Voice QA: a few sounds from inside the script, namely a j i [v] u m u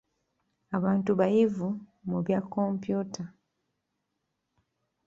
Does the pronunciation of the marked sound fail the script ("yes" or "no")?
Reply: no